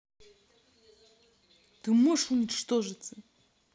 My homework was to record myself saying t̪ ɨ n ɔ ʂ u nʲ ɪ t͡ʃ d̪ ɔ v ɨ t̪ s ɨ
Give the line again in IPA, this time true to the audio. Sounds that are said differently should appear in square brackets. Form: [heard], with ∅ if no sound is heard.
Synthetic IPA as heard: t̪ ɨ [m] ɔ ʂ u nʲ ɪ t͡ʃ [t̪] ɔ [ʐ] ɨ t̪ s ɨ